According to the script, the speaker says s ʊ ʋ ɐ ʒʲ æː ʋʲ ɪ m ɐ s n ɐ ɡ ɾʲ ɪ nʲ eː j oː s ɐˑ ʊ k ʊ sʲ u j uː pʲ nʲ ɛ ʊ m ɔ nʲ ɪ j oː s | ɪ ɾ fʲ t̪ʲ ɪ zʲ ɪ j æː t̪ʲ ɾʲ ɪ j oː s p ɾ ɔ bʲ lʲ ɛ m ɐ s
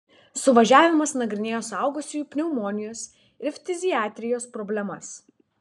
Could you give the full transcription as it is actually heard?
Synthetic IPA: s ʊ ʋ ɐ ʒʲ æː ʋʲ ɪ m ɐ s n ɐ ɡ ɾʲ ɪ nʲ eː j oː s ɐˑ ʊ ɡ ʊ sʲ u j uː pʲ nʲ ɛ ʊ m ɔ nʲ ɪ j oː s | ɪ ɾ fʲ t̪ʲ ɪ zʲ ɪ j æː t̪ʲ ɾʲ ɪ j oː s p ɾ ɔ bʲ lʲ ɛ m ɐ s